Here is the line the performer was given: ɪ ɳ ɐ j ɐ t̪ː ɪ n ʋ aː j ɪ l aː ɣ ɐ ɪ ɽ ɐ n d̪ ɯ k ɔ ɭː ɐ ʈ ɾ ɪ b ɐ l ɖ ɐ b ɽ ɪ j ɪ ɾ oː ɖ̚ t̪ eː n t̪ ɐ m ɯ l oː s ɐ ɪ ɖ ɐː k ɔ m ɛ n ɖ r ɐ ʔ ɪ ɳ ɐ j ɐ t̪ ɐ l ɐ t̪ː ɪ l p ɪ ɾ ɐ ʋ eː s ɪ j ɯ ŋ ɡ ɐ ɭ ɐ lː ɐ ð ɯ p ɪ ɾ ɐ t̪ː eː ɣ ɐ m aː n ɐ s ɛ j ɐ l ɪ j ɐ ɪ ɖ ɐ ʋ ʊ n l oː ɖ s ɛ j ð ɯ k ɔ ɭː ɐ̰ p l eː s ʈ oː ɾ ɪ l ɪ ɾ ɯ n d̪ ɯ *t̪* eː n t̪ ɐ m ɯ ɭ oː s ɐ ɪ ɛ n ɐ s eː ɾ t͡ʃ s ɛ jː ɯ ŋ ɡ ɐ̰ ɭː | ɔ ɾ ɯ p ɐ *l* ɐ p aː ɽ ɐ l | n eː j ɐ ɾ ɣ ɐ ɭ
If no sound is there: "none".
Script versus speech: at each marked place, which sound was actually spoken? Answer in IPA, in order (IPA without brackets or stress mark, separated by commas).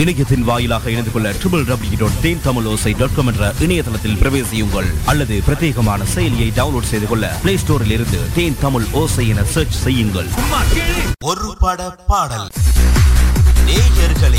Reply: t̪, ɽ